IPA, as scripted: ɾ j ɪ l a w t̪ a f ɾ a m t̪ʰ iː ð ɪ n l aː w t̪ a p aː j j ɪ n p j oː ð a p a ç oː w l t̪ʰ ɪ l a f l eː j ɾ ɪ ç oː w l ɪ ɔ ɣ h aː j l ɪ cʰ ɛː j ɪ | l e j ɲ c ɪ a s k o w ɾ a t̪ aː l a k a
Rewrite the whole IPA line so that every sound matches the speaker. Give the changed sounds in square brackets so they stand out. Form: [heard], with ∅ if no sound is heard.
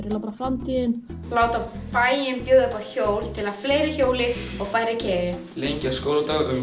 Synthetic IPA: ɾ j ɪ l a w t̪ a f ɾ a m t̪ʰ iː ð ɪ n l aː w t̪ a p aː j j ɪ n p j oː ð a p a ç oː w l t̪ʰ ɪ l a f l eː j ɾ ɪ ç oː w l ɪ ɔ ɣ [f] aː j [ɾ] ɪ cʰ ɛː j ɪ | l e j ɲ c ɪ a s k o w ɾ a t̪ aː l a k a

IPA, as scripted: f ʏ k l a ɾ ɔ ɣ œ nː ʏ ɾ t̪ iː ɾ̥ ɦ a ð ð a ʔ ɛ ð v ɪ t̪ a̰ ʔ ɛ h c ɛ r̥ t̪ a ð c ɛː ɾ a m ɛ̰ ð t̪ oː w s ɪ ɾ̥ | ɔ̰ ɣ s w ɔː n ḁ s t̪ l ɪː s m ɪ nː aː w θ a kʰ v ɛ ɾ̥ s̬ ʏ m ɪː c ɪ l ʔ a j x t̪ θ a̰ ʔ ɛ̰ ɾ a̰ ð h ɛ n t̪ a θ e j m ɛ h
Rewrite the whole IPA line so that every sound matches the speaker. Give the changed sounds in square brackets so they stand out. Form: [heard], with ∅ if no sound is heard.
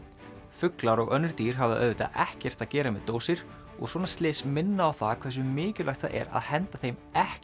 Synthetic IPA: f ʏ k l a ɾ ɔ ɣ œ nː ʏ ɾ t̪ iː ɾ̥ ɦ a [v] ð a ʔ [œ] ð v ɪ t̪ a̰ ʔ ɛ h c ɛ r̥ t̪ a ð c ɛː ɾ a m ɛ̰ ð t̪ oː w s ɪ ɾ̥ | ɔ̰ ɣ s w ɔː n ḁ s t̪ l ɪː s m ɪ nː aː w θ a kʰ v ɛ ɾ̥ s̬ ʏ m ɪː c ɪ l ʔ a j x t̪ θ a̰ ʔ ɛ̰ ɾ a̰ ð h ɛ n t̪ a θ e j m ɛ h

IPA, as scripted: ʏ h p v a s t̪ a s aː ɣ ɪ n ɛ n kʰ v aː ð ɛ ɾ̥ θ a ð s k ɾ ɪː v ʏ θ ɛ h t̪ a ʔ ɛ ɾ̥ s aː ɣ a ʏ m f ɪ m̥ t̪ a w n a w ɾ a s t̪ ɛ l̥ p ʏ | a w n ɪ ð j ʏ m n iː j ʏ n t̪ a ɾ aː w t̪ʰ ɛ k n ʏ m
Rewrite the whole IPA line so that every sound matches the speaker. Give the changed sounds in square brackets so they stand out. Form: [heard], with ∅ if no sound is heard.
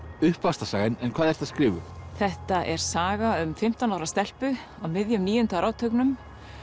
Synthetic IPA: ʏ h p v a s t̪ a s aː ɣ ɪ n ɛ n kʰ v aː ð ɛ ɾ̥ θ a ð s k ɾ ɪː v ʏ θ ɛ h t̪ a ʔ ɛ ɾ̥ s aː ɣ a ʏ m f ɪ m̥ t̪ a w n a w ɾ a s t̪ ɛ l̥ p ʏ | a w [m] ɪ ð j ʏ m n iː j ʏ n t̪ a ɾ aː w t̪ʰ [œ] k n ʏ m

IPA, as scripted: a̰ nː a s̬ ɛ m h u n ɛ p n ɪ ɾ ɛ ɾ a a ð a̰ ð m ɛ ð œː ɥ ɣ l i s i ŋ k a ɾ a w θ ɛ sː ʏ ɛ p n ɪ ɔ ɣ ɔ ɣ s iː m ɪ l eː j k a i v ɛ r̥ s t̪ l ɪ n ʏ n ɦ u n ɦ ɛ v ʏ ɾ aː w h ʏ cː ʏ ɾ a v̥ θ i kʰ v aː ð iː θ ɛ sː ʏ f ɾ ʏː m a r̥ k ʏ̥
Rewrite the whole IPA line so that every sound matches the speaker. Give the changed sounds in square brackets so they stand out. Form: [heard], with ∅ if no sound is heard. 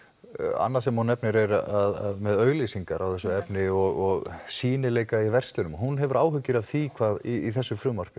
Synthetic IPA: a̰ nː a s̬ ɛ m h u n ɛ p n ɪ ɾ ɛ ɾ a a ð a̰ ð m ɛ ð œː ɥ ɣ l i s i ŋ k a ɾ a w θ ɛ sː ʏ ɛ p n ɪ ɔ ɣ ɔ ɣ s iː [n] ɪ l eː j k a i v ɛ r̥ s t̪ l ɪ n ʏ [m] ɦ u n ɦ ɛ v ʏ ɾ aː w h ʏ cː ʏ ɾ a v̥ θ i kʰ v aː ð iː θ ɛ sː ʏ f ɾ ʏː m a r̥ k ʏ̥

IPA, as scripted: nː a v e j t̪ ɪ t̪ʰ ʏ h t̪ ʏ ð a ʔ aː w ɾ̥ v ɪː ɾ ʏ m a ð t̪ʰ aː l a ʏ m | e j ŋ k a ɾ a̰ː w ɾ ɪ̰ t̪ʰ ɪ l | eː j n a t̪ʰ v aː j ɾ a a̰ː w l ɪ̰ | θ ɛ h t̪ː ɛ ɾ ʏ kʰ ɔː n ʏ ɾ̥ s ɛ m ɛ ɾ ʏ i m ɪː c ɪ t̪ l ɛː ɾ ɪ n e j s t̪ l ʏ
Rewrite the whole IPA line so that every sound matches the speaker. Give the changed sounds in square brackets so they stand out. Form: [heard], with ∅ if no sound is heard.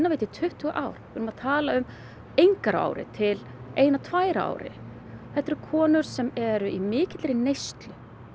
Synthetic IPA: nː a v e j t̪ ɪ t̪ʰ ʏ h t̪ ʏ [ɣ] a ʔ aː w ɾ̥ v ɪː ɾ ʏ m a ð t̪ʰ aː l a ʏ m | e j ŋ k a ɾ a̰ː w ɾ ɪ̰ t̪ʰ ɪ l | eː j n a t̪ʰ v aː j ɾ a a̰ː w [ɾ] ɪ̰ | θ ɛ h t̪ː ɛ ɾ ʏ kʰ ɔː n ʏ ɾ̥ s ɛ m ɛ ɾ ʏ i m ɪː c ɪ t̪ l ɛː ɾ ɪ n e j s t̪ l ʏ

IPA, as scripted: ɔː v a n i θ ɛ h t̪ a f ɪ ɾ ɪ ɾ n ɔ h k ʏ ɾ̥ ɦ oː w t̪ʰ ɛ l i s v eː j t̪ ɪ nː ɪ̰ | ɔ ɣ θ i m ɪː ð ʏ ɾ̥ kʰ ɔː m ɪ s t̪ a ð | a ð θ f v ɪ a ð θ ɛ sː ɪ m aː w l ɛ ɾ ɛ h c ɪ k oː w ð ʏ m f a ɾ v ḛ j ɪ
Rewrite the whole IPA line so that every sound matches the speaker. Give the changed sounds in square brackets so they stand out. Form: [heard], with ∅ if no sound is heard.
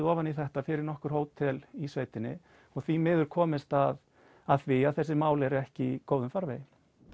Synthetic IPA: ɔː v a n i θ ɛ h t̪ a f ɪ ɾ ɪ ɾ n ɔ h k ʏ ɾ̥ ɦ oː w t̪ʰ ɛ l i s v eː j t̪ ɪ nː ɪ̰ | ɔ ɣ θ i m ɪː ð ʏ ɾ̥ kʰ ɔː m ɪ s t̪ a ð | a ð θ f v ɪ a ð θ ɛ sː ɪ m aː w l ɛ ɾ ɛ h c ɪ k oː w ð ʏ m f a ɾ v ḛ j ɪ

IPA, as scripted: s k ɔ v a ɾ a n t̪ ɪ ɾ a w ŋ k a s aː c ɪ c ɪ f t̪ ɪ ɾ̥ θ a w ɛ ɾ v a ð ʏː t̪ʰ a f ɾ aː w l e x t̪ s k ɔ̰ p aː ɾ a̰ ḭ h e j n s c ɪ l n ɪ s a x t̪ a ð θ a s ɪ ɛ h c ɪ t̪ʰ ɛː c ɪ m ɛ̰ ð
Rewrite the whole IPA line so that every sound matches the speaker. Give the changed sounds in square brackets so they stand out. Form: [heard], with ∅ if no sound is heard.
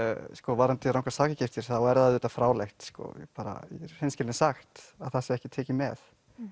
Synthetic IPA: s k ɔ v a ɾ a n t̪ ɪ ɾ a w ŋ k a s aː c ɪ c ɪ f t̪ ɪ ɾ̥ θ a w ɛ ɾ [ð] a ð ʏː [t̪] a f ɾ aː w l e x t̪ s k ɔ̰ p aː ɾ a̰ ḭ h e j n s c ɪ l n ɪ s a x t̪ a ð θ a s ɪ ɛ h c ɪ t̪ʰ ɛː c ɪ m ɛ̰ [θ]

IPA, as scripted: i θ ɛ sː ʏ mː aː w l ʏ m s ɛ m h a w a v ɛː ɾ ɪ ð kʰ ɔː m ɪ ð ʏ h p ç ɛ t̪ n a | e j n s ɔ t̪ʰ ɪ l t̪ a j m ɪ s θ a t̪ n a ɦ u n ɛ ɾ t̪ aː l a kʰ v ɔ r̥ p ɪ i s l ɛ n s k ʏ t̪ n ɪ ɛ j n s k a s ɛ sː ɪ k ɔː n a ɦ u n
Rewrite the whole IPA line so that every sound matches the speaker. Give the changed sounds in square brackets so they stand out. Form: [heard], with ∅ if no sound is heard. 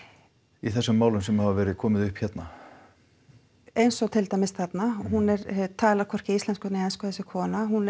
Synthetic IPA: i θ ɛ sː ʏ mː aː w l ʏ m s ɛ m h a [v] a v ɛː ɾ ɪ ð kʰ ɔː m ɪ ð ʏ h p ç ɛ t̪ n a | e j n s ɔ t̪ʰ ɪ l t̪ a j m ɪ s θ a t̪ n a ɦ u n ɛ ɾ [t̪ʰ] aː l a kʰ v ɔ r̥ [c] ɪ i s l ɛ n s k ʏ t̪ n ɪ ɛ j n s k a [θ] ɛ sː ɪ [kʰ] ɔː n a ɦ u n

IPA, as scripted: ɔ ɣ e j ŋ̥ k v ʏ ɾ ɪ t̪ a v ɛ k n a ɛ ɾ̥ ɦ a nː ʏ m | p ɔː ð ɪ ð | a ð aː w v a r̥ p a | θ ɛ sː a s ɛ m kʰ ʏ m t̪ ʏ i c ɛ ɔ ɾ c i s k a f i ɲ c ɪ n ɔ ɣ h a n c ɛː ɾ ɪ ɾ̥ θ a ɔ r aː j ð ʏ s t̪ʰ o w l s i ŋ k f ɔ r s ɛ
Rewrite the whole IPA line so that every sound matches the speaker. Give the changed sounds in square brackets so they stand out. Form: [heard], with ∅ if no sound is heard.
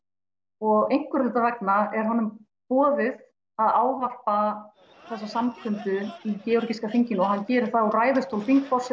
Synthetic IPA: ɔ ɣ e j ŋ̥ k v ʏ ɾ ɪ t̪ a v ɛ k n a ɛ ɾ̥ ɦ a nː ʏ m | p ɔː ð ɪ ð | a ð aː w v a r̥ p a | θ ɛ sː a s [a] m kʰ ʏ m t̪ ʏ i c ɛ ɔ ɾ c i s k a f i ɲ c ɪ n ɔ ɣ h a n c ɛː ɾ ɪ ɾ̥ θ a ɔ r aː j ð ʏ s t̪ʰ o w l [f] i ŋ k f ɔ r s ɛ

